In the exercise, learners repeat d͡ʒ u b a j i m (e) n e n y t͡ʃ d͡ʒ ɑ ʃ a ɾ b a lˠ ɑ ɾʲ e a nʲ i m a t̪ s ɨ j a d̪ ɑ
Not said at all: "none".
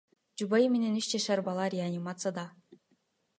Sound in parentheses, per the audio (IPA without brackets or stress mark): e